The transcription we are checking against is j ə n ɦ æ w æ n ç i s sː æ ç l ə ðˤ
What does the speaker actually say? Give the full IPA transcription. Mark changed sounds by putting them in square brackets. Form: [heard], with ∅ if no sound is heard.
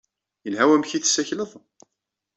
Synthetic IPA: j ə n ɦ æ w æ [m] ç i [θ] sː æ ç l ə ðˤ